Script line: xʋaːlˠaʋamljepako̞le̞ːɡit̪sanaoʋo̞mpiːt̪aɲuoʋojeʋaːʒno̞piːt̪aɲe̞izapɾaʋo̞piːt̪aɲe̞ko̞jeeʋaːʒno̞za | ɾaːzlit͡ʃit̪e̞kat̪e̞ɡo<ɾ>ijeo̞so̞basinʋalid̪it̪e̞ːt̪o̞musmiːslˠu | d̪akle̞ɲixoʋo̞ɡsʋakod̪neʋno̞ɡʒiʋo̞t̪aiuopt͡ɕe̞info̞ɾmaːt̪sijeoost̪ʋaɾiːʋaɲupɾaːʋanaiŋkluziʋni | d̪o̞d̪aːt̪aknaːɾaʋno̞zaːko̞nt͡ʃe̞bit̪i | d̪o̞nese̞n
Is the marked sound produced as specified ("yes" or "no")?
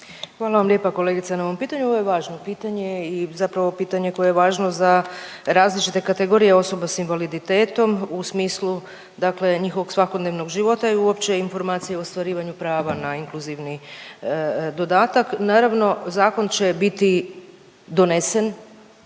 yes